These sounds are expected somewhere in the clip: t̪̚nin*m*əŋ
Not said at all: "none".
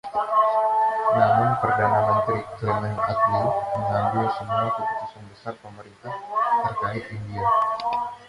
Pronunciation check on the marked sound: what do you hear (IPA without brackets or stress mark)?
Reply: m